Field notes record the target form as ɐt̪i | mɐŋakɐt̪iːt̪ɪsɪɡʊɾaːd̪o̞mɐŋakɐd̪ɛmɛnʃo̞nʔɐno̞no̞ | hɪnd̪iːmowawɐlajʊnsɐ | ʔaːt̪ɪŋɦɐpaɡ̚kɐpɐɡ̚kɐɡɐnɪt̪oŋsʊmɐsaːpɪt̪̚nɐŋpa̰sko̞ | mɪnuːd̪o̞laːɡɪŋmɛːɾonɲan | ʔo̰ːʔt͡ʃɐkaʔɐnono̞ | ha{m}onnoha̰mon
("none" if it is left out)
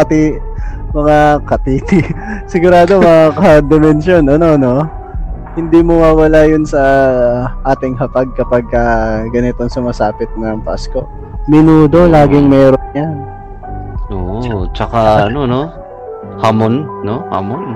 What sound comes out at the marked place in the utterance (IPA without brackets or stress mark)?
m